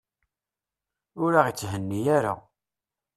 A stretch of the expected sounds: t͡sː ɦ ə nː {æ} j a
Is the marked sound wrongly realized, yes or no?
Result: yes